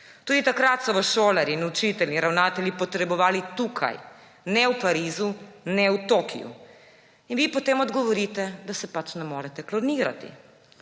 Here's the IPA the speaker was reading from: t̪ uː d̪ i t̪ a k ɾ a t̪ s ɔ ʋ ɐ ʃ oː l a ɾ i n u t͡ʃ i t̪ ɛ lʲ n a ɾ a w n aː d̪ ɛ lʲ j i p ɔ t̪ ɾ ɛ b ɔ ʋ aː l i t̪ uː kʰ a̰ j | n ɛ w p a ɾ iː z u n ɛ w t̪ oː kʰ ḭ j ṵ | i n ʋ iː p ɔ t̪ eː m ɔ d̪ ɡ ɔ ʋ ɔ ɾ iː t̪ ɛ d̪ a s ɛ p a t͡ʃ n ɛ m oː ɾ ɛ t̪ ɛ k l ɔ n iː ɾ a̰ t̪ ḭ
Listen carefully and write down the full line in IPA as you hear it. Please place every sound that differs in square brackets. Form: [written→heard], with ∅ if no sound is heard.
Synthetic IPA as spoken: t̪ uː d̪ i t̪ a k ɾ a t̪ s ɔ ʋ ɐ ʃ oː l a ɾ i n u t͡ʃ i t̪ ɛ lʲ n [a→i] ɾ a w n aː [d̪→t̪] ɛ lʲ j i p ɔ t̪ ɾ ɛ b ɔ ʋ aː l i t̪ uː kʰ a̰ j | n ɛ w p a ɾ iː z u n ɛ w t̪ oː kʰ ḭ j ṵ | i n ʋ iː p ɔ t̪ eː m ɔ d̪ ɡ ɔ ʋ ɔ ɾ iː t̪ ɛ d̪ a s ɛ p a t͡ʃ n ɛ m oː ɾ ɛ t̪ ɛ k l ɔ n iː ɾ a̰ t̪ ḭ